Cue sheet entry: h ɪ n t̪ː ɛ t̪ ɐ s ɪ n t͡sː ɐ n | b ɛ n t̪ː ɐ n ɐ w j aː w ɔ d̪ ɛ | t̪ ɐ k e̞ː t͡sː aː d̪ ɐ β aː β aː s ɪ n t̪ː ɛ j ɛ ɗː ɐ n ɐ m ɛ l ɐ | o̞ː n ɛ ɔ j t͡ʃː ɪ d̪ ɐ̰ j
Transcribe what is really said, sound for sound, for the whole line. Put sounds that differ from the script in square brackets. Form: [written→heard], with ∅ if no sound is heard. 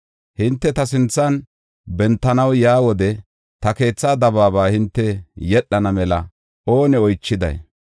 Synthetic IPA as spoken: h ɪ n t̪ː ɛ t̪ ɐ s ɪ n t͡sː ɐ n | b ɛ n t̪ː ɐ n ɐ w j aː w ɔ d̪ ɛ | t̪ ɐ k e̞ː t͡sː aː d̪ ɐ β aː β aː [s→h] ɪ n t̪ː ɛ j ɛ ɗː ɐ n ɐ m ɛ l ɐ | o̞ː n ɛ ɔ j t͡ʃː ɪ d̪ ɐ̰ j